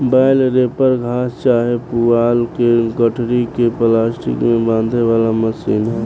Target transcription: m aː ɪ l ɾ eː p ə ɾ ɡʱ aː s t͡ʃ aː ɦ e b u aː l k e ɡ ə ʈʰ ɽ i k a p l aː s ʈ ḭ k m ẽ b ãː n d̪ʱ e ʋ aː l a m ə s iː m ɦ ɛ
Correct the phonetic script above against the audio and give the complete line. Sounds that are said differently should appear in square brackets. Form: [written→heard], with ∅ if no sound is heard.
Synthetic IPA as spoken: [m→b] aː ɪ l ɾ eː p ə ɾ ɡʱ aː s t͡ʃ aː ɦ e [b→p] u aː l k e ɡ ə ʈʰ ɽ i k [a→e] p l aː s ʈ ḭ k m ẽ b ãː n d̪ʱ e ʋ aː l a m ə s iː [m→n] ɦ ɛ